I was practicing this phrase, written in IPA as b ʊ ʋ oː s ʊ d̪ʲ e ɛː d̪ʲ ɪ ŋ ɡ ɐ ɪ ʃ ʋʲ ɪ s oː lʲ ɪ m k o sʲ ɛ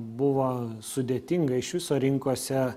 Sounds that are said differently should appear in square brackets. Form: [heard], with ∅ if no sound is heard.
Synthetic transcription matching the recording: b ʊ ʋ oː s ʊ d̪ʲ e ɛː [t̪ʲ] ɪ ŋ ɡ ɐ ɪ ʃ ʋʲ ɪ s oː [ɾʲ] ɪ [ŋ] k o sʲ ɛ